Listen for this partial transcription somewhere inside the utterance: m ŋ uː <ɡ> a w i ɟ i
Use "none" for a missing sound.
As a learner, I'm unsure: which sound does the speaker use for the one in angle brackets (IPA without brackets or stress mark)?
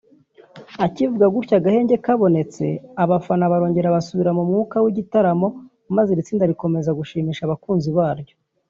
k